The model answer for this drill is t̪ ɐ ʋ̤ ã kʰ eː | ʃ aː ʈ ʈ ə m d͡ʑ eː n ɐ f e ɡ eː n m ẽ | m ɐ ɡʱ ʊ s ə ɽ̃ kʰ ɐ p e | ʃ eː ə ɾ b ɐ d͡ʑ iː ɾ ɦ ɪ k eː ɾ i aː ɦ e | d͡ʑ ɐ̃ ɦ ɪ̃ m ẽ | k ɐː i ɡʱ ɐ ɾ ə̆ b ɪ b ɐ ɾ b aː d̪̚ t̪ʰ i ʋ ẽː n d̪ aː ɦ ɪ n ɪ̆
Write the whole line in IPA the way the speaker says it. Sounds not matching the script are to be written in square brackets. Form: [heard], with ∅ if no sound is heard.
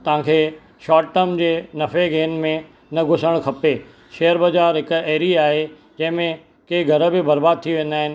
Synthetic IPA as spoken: t̪ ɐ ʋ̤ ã kʰ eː | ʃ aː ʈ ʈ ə m d͡ʑ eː n ɐ f e ɡ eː n m ẽ | [n] ɐ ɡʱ ʊ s ə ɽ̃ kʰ ɐ p e | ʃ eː ə ɾ b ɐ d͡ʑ [aː] ɾ ɦ ɪ k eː ɾ i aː ɦ e | d͡ʑ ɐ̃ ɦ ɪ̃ m ẽ | k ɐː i ɡʱ ɐ ɾ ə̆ b ɪ b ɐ ɾ b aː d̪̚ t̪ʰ i ʋ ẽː n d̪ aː ɦ ɪ n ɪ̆

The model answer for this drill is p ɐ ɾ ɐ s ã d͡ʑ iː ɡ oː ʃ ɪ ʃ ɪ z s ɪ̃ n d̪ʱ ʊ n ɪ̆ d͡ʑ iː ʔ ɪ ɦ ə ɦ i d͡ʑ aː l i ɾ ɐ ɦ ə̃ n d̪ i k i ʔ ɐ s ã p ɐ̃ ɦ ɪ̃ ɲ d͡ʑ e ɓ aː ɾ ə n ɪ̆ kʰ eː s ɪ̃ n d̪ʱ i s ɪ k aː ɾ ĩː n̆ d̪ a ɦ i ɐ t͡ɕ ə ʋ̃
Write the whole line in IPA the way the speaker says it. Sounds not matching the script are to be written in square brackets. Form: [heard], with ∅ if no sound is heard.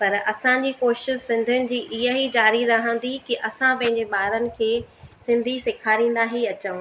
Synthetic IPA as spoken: p ɐ ɾ ɐ s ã d͡ʑ iː [k] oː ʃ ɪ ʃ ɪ z s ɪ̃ n d̪ʱ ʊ n ɪ̆ d͡ʑ iː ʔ ɪ ɦ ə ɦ i d͡ʑ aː [ɾ] i ɾ ɐ ɦ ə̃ n d̪ i k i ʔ ɐ s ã p ɐ̃ ɦ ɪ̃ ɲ d͡ʑ e ɓ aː ɾ ə n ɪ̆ kʰ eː s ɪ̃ n d̪ʱ i s ɪ [kʰ] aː ɾ ĩː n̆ d̪ a ɦ i ɐ t͡ɕ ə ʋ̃

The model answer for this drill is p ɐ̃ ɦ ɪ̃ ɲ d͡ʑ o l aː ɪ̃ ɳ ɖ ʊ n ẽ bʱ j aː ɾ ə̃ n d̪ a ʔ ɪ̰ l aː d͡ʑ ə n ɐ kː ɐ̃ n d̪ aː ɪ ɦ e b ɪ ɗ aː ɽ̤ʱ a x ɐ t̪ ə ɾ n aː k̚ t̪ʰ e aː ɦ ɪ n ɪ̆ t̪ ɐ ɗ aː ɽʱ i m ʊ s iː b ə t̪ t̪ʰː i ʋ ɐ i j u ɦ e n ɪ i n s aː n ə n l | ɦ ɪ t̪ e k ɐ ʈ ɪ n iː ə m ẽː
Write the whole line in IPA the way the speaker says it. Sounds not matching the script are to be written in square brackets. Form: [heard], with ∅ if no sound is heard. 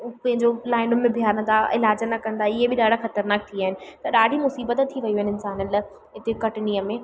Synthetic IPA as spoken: p ɐ̃ ɦ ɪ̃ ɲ d͡ʑ o l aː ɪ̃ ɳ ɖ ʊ [m] ẽ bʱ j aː ɾ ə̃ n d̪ a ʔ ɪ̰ l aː d͡ʑ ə n ɐ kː ɐ̃ n d̪ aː ɪ ɦ e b ɪ ɗ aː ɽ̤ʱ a x ɐ t̪ ə ɾ n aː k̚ t̪ʰ [i] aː ɦ ɪ n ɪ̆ t̪ ɐ ɗ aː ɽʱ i m ʊ s iː b ə t̪ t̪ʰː i ʋ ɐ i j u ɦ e n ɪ [ɪ] n s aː n ə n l | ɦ ɪ t̪ e k ɐ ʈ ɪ n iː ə m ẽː

